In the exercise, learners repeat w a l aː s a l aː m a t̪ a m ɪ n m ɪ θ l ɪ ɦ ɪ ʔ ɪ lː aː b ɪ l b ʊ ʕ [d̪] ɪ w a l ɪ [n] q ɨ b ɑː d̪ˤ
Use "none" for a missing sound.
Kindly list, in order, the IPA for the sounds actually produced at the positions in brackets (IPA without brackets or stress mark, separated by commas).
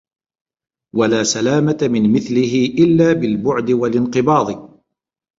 d̪, n